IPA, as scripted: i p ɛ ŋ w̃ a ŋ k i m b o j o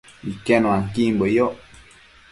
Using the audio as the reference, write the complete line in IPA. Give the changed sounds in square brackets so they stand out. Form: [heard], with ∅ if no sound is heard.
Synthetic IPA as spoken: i [k] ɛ [n] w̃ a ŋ k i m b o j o